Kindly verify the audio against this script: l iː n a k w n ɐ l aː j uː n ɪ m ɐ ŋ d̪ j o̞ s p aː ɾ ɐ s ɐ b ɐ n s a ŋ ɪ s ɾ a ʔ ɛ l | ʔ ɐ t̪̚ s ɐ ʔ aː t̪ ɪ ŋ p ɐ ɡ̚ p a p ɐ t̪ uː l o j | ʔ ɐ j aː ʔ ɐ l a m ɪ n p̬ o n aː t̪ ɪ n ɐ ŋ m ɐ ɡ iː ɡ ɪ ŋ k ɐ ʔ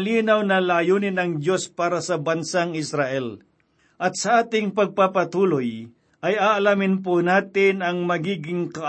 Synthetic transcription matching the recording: l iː n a w n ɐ l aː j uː n ɪ n ɐ ŋ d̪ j o̞ s p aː ɾ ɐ s ɐ b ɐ n s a ŋ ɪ s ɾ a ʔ ɛ l | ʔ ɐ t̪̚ s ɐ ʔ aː t̪ ɪ ŋ p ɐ ɡ̚ p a p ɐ t̪ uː l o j | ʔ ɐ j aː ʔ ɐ l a m ɪ n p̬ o n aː t̪ ɪ n ɐ ŋ m ɐ ɡ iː ɡ ɪ ŋ k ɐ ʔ